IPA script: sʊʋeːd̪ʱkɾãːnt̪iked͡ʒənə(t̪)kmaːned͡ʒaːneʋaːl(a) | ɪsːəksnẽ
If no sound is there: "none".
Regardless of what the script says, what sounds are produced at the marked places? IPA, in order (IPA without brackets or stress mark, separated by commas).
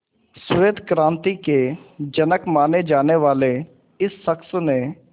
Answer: none, e